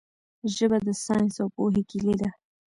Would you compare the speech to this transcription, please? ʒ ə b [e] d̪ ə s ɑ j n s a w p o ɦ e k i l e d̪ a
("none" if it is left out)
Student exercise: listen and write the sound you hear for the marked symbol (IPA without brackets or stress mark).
a